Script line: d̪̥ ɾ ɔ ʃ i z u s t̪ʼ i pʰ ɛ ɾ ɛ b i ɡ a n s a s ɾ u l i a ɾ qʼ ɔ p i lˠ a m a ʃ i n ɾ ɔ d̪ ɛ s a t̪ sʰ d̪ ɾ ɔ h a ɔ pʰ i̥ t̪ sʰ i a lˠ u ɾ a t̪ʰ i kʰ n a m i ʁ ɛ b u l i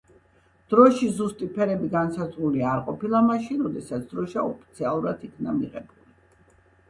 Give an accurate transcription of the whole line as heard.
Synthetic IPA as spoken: d̪̥ ɾ ɔ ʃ i z u s t̪ʼ i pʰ ɛ ɾ ɛ b i ɡ a n s a z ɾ u l i a ɾ qʼ ɔ p i lˠ a m a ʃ i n ɾ ɔ d̪ ɛ s a t̪ sʰ d̪ ɾ ɔ ʃ a ɔ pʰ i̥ t̪ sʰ i a lˠ u ɾ a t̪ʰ i kʰ n a m i ʁ ɛ b u l i